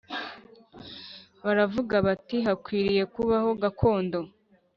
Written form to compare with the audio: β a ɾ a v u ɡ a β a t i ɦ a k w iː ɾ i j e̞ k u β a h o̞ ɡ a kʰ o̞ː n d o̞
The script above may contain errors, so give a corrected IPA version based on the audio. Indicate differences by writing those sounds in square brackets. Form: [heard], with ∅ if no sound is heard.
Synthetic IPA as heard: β a ɾ a v u ɡ a β a t i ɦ a k w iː ɾ i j e̞ k u β a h o̞ ɡ a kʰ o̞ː n d o̞